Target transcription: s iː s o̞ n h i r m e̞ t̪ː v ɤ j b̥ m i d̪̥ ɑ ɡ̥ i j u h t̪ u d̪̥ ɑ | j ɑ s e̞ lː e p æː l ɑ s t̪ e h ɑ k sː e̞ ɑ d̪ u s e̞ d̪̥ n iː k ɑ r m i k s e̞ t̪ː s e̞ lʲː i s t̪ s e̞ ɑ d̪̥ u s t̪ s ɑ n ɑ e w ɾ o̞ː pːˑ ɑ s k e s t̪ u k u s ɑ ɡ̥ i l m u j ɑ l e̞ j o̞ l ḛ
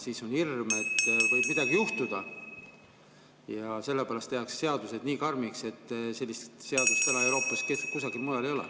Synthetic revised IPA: s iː s o̞ n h i r m e̞ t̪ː v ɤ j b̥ m i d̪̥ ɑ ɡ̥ i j u h t̪ u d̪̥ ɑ | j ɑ s e̞ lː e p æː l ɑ s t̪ e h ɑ k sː e̞ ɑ d̪ u s e̞ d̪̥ n iː k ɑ r m i k s e̞ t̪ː s e̞ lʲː i s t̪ s e̞ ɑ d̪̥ u s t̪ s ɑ n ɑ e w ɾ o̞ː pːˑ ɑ s k e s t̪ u k u s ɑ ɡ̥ i l m u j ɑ l e̞ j o̞ l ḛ